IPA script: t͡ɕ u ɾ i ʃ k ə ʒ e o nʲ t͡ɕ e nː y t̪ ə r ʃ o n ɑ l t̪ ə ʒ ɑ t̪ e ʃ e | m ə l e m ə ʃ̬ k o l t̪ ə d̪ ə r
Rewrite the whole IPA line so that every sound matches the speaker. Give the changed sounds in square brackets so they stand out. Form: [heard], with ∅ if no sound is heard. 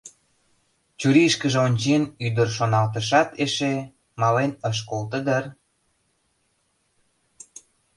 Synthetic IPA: t͡ɕ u ɾ i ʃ k ə ʒ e o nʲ t͡ɕ e [n] y [d̪] ə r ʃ o n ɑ l t̪ ə [ʃ] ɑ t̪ e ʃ e | m [ɑ] l e [n] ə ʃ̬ k o l t̪ ə d̪ ə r